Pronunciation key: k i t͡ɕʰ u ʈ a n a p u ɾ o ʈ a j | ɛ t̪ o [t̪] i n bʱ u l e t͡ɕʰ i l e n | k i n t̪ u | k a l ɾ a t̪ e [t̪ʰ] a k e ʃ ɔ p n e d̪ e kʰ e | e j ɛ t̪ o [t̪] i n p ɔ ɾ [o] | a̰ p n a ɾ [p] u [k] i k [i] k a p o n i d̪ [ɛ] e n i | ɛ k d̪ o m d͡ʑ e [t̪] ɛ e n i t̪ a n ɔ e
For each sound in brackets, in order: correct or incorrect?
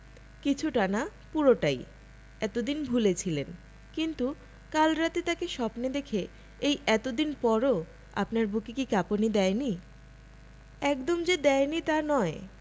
incorrect, incorrect, incorrect, correct, incorrect, correct, correct, correct, incorrect

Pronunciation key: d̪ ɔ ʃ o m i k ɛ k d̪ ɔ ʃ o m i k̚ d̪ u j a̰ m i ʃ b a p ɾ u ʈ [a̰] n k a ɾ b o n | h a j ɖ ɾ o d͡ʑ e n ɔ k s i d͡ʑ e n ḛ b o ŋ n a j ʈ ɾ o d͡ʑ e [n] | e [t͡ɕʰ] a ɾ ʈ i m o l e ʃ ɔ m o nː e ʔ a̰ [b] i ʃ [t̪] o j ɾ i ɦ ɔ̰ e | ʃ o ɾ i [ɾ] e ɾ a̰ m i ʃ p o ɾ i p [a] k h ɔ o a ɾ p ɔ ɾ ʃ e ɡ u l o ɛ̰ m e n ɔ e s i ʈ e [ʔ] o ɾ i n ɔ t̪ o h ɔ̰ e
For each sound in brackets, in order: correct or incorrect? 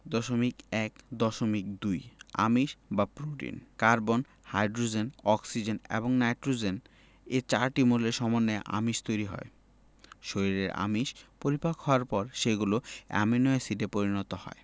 incorrect, correct, incorrect, incorrect, correct, correct, correct, incorrect

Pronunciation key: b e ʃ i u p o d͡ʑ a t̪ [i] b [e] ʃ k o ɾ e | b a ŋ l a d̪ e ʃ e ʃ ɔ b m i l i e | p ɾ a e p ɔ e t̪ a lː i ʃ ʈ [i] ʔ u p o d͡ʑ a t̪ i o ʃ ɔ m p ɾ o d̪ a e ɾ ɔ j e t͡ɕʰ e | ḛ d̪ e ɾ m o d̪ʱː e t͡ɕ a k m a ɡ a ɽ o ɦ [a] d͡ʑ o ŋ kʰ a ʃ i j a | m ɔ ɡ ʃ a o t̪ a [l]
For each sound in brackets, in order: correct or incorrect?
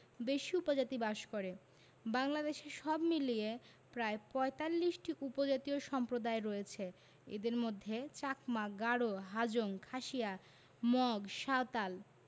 correct, incorrect, correct, correct, correct

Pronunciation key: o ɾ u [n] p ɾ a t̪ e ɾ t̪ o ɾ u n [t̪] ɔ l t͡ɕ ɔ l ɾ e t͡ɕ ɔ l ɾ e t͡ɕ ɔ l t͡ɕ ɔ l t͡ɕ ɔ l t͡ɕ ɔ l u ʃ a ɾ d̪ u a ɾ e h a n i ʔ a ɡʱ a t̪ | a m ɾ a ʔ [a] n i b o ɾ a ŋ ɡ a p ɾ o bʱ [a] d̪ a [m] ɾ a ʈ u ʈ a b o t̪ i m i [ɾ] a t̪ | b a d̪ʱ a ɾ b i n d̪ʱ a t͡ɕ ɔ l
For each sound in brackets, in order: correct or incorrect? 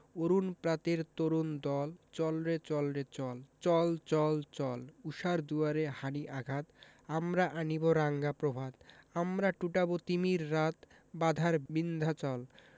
correct, incorrect, correct, correct, correct, incorrect

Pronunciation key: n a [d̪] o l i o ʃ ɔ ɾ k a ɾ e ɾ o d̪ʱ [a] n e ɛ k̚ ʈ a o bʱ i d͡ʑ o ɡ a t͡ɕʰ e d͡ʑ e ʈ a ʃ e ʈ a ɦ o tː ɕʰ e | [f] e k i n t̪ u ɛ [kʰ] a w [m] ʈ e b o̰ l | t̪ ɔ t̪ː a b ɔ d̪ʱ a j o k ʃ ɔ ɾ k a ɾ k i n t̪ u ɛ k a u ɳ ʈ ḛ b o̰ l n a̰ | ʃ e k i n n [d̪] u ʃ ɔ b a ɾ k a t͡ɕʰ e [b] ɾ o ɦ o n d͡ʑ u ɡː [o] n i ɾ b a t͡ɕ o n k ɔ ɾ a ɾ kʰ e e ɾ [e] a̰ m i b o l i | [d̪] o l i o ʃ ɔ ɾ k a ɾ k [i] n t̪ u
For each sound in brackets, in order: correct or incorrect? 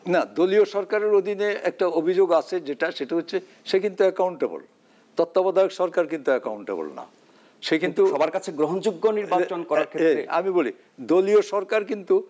correct, incorrect, incorrect, incorrect, incorrect, incorrect, incorrect, correct, correct, correct, correct

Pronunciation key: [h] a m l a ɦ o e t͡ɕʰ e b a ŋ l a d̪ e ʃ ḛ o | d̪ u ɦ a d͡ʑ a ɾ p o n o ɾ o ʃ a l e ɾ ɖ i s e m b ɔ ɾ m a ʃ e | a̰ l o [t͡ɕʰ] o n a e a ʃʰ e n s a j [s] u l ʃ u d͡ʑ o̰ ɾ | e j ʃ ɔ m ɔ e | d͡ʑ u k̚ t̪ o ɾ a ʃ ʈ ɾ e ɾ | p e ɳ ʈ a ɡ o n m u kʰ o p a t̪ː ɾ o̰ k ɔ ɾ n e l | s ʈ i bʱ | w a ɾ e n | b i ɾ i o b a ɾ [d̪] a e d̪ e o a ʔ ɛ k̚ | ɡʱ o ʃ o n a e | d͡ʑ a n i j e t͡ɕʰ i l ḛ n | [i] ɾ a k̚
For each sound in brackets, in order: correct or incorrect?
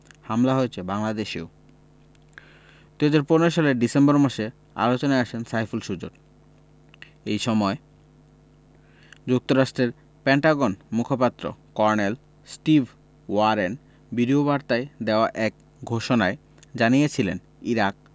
correct, incorrect, incorrect, incorrect, correct

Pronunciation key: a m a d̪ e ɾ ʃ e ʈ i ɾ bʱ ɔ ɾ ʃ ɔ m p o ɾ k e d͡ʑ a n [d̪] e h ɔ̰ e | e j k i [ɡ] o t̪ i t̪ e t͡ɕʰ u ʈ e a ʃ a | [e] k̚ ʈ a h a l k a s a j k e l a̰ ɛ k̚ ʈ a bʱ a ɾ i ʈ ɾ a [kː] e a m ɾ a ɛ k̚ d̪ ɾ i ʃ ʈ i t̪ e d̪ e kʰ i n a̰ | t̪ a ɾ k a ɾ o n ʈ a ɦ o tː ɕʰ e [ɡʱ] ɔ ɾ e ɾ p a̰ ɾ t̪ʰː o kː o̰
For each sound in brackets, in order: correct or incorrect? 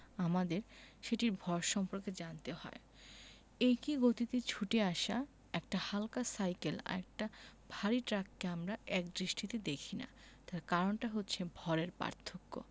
incorrect, correct, incorrect, correct, incorrect

